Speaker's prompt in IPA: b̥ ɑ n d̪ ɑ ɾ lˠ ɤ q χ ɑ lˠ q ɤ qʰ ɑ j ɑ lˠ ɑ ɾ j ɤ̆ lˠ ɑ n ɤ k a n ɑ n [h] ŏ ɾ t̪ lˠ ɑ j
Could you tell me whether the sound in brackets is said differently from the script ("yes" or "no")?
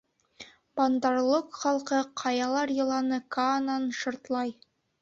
yes